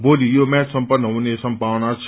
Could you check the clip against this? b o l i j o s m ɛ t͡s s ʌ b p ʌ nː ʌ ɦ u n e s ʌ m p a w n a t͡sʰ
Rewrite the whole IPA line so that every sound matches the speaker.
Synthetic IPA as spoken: b o l i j o m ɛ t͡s s ʌ m p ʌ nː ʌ ɦ u n e s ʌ m p a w n a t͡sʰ